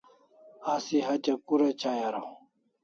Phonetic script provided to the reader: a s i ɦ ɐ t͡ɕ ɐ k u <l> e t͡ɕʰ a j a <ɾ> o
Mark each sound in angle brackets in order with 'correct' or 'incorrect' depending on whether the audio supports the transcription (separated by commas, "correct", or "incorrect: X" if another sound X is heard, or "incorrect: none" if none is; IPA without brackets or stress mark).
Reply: incorrect: ɾ, correct